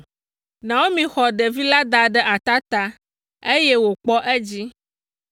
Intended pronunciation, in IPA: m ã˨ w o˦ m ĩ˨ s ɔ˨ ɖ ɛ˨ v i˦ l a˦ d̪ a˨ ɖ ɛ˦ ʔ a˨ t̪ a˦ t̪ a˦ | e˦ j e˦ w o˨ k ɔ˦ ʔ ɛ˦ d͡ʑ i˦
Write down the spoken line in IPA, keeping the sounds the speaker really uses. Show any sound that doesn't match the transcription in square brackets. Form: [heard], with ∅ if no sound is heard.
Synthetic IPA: [n] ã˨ w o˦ m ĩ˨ [x] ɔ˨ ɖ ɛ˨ v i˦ l a˦ d̪ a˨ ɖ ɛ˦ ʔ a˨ t̪ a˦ t̪ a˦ | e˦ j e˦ w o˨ [k͡p] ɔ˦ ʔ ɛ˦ d͡ʑ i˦